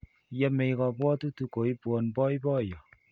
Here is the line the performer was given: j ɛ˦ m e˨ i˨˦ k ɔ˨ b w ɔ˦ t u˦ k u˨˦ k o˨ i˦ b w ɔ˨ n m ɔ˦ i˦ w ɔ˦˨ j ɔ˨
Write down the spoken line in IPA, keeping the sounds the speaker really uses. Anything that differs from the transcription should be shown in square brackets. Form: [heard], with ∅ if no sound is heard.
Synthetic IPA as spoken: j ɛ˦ m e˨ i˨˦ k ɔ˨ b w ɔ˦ t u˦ [t] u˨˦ k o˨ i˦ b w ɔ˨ n [b] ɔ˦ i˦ [b] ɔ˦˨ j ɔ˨